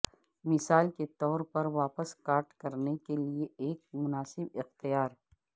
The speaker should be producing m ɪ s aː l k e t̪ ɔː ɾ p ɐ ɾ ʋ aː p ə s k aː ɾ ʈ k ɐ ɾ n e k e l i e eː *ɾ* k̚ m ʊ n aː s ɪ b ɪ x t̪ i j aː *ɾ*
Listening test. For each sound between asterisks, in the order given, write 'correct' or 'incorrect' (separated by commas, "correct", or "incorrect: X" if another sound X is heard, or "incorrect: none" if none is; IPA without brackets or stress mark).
incorrect: none, correct